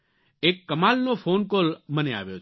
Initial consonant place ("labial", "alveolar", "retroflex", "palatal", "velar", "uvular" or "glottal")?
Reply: velar